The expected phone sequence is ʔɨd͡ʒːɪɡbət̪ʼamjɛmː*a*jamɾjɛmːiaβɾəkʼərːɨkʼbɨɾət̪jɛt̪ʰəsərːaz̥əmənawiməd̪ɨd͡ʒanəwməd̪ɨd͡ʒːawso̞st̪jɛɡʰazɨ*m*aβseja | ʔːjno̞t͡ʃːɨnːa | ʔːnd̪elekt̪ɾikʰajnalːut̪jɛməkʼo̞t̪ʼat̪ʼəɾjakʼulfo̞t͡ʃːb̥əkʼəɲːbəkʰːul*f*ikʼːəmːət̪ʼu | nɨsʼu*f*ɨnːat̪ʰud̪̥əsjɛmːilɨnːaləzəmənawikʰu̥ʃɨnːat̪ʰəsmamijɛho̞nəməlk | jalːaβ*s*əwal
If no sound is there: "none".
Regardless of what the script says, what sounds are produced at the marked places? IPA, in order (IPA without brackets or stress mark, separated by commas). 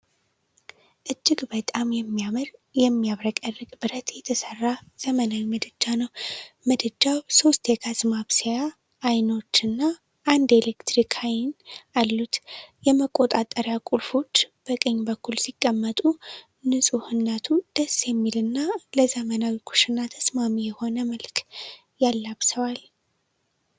i, m, s, h, s